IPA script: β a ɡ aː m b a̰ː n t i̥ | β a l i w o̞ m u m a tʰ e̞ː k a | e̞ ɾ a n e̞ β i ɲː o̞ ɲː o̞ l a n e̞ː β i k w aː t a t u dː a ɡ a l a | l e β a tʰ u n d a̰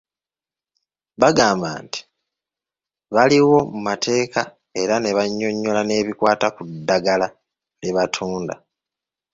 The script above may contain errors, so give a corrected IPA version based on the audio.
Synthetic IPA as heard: β a ɡ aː m b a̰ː n t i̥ | β a l i w o̞ m u m a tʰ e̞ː k a | e̞ ɾ a n e̞ β a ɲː o̞ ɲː o̞ l a n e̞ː β i k w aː t a k u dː a ɡ a l a | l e β a tʰ uː n d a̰